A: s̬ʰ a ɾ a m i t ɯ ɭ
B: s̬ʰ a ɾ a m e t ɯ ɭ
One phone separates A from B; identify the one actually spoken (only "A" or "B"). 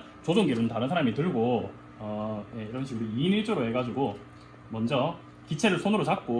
A